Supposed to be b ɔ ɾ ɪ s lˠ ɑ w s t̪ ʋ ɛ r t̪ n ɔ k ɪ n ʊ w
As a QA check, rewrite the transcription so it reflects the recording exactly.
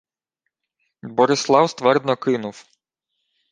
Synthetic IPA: b ɔ ɾ ɪ s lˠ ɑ w s t̪ ʋ ɛ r d̪ n ɔ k ɪ n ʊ w